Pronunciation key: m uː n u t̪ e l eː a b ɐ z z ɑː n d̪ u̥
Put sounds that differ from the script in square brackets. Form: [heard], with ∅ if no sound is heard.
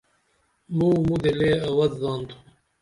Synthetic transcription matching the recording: m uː [m] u [d̪] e l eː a [w] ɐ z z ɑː n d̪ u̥